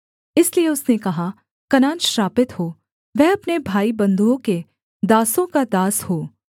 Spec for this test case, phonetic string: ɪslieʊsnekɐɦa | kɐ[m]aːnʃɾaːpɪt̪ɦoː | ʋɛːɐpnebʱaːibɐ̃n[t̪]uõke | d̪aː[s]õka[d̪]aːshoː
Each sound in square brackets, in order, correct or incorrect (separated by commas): incorrect, incorrect, correct, correct